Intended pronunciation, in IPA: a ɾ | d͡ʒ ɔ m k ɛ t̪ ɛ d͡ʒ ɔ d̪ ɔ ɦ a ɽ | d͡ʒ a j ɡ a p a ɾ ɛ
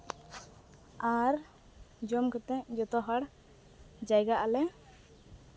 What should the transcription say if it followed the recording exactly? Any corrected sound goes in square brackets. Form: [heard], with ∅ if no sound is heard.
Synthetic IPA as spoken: a ɾ | d͡ʒ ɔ m k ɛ t̪ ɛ d͡ʒ ɔ [t̪] ɔ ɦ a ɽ | d͡ʒ a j ɡ a [ʔ] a [l] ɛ

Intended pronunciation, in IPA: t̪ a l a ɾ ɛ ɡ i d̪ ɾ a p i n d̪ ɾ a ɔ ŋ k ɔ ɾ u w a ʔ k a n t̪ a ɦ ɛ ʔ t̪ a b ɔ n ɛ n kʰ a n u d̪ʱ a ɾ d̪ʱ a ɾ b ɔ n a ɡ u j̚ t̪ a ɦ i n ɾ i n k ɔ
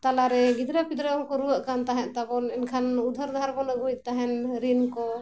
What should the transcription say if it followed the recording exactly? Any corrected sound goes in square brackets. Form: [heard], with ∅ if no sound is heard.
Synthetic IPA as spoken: t̪ a l a ɾ ɛ ɡ i d̪ ɾ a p i [∅] d̪ ɾ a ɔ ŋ k ɔ ɾ u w a ʔ k a n t̪ a ɦ ɛ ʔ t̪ a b ɔ n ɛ n kʰ a n u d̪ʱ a ɾ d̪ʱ a ɾ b ɔ n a ɡ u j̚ t̪ a ɦ [ɛ] n ɾ i n k ɔ

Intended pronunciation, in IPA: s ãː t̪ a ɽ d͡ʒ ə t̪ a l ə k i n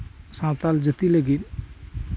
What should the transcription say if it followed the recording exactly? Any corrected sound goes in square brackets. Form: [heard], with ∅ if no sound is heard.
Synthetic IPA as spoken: s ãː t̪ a [l] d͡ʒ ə t̪ [i] l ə [ɡ] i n

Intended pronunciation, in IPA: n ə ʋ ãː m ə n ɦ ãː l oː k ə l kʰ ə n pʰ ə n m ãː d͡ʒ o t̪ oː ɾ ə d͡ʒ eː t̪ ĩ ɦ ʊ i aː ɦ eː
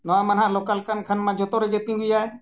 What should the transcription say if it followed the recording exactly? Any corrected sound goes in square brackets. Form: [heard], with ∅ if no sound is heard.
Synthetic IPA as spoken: n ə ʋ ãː m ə n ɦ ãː l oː k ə l kʰ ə n [kʰ] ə n m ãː d͡ʒ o t̪ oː ɾ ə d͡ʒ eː t̪ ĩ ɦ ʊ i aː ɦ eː

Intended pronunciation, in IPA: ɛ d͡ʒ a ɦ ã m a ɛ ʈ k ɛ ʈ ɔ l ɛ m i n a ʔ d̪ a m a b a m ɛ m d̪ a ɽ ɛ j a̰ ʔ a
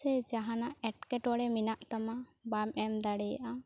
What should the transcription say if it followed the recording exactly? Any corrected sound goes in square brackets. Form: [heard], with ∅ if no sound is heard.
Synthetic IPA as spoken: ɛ d͡ʒ a ɦ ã [n] a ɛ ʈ k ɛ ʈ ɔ [ɽ] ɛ m i n a ʔ [t̪] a m a b a m ɛ m d̪ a ɽ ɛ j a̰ ʔ a

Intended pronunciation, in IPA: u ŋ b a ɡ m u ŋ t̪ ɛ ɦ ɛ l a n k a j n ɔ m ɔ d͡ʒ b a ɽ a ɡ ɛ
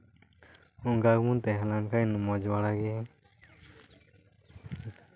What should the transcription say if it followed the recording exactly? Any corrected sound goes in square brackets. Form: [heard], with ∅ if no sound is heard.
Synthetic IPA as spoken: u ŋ [ɡ] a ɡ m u [n] t̪ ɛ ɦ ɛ l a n k a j n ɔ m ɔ d͡ʒ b a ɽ a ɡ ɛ

